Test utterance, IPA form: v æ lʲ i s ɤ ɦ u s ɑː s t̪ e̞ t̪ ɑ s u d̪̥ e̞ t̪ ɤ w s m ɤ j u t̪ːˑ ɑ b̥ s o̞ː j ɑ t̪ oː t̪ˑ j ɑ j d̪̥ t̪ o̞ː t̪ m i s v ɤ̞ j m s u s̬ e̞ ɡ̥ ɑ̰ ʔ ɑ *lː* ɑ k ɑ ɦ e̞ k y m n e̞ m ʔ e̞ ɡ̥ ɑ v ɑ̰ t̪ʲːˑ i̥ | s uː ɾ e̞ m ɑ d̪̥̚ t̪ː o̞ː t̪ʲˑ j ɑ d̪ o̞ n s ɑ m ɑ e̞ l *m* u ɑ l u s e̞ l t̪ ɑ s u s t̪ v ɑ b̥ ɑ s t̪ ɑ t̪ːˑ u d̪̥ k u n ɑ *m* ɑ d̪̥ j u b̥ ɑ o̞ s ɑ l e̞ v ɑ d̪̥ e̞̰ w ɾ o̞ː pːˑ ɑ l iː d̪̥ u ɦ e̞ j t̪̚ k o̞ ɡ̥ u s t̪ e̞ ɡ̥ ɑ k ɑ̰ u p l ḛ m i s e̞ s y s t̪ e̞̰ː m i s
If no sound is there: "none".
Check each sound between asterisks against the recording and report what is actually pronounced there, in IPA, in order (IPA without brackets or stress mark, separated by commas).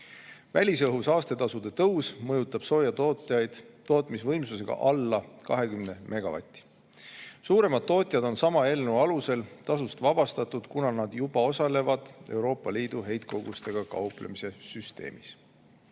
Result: lː, n, n